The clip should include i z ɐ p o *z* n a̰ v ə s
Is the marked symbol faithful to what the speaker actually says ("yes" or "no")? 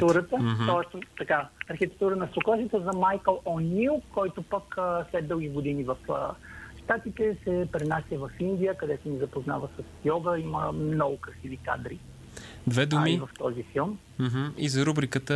yes